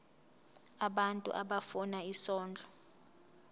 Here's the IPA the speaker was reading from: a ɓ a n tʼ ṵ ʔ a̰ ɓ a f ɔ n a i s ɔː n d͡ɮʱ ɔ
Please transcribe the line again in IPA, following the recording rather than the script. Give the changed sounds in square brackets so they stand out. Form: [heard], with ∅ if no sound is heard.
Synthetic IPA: a ɓ a n tʼ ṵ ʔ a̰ ɓ a f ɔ n a i s ɔː n d͡ɮʱ ɔ